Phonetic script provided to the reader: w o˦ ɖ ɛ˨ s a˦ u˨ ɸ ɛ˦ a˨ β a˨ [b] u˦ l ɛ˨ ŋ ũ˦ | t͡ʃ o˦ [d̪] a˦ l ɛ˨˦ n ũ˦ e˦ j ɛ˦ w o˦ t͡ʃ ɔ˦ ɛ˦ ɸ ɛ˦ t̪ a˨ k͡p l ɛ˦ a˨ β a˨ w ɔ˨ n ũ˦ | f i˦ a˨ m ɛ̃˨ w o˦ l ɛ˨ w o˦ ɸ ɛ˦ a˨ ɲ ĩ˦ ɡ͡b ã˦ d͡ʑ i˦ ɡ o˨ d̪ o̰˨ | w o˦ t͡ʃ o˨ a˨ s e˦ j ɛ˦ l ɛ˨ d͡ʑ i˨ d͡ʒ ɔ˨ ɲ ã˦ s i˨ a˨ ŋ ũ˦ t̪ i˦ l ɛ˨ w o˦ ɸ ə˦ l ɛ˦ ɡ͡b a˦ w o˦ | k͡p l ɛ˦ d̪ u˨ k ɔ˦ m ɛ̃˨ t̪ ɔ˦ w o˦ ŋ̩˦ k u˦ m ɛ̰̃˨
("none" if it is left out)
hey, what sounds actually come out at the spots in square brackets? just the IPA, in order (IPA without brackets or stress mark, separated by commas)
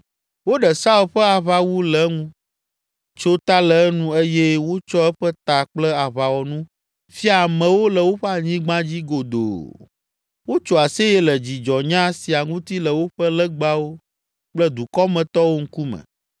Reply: w, t̪